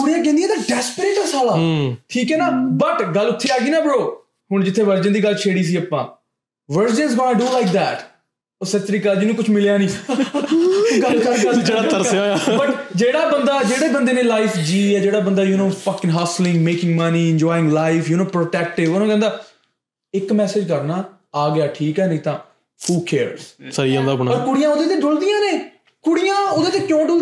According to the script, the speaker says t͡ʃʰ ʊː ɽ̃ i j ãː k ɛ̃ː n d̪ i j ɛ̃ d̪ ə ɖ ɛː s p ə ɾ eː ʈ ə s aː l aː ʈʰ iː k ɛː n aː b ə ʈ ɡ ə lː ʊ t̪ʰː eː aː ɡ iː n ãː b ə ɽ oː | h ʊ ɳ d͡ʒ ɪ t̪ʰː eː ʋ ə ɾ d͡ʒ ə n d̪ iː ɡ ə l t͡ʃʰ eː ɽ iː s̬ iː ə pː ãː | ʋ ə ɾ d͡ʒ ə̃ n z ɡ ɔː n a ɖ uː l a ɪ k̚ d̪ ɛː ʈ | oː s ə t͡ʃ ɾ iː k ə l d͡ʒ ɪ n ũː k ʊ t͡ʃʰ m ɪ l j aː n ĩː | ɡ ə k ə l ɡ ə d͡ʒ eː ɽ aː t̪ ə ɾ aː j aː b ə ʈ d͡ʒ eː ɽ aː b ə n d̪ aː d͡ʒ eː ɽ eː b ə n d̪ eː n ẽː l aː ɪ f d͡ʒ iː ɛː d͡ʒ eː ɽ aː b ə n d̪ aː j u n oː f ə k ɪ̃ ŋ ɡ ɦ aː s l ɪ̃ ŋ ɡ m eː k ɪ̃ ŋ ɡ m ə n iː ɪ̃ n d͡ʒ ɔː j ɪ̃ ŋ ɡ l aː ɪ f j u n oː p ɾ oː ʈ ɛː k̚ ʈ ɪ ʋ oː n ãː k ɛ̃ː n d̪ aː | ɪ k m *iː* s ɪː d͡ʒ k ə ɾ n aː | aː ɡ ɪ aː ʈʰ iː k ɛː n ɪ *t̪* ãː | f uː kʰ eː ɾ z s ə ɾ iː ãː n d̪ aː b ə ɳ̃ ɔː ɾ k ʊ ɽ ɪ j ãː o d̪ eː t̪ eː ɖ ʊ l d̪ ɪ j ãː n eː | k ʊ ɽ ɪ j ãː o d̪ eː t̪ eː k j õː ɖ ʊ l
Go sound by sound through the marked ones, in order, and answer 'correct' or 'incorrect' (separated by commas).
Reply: incorrect, correct